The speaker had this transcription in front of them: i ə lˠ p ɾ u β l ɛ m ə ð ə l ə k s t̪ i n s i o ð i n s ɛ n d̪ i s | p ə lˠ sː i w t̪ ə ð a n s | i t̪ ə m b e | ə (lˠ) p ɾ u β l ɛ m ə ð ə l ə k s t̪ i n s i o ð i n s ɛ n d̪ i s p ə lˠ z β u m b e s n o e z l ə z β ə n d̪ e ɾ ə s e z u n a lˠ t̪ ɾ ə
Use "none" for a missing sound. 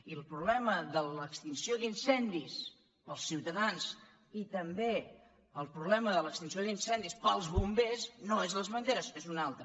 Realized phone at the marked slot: lˠ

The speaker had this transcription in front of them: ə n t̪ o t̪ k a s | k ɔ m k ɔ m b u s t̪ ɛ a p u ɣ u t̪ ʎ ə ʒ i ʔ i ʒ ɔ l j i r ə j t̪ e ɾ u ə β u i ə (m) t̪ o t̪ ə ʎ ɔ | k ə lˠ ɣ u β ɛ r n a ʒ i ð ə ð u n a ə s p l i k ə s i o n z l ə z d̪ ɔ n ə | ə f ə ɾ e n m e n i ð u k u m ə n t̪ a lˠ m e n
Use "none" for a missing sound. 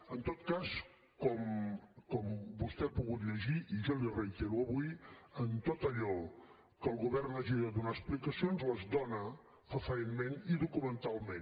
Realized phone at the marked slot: n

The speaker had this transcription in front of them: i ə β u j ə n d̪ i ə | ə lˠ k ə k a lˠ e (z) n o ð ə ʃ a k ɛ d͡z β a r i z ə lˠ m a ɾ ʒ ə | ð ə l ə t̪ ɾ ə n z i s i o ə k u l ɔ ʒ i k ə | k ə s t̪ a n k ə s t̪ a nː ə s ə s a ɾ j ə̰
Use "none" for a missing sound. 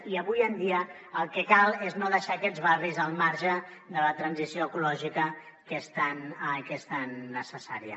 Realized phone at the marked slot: z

